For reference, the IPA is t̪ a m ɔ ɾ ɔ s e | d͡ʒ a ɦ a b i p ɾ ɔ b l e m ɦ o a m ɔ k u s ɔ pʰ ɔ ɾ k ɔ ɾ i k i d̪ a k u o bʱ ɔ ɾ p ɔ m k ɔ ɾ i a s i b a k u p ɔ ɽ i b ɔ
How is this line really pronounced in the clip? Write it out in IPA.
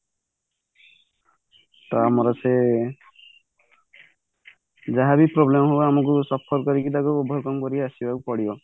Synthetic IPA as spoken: t̪ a m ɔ ɾ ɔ s e | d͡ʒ a ɦ a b i p ɾ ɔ b l e m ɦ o a m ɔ k u s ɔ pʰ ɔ ɾ k ɔ ɾ i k i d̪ a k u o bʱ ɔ ɾ k ɔ m k ɔ ɾ i a s i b a k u p ɔ ɽ i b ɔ